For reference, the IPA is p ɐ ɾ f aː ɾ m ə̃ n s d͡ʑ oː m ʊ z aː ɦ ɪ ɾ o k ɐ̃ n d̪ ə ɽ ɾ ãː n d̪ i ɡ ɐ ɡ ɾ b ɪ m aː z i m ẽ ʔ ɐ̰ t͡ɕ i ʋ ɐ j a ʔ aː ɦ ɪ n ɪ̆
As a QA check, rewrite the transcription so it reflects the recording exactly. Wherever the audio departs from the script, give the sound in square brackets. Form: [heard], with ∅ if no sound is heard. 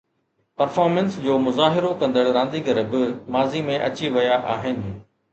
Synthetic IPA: p ɐ ɾ f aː ɾ m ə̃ n s d͡ʑ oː m ʊ z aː ɦ ɪ ɾ o k ɐ̃ n d̪ ə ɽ ɾ ãː n d̪ i ɡ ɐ [∅] ɾ b ɪ m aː z i m ẽ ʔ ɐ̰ t͡ɕ i ʋ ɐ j a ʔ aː ɦ ɪ n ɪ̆